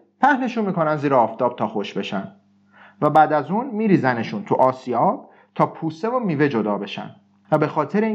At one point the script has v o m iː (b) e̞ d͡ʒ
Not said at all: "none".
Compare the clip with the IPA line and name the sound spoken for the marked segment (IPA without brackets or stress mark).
v